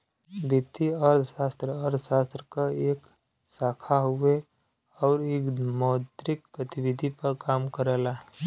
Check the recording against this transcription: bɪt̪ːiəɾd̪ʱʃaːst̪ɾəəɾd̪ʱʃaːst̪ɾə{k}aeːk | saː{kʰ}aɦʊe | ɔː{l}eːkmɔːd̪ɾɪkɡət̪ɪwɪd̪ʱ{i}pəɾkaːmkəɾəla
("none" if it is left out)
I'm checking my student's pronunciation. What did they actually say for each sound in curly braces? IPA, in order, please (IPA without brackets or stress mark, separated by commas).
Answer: k, kʰ, ɾ, i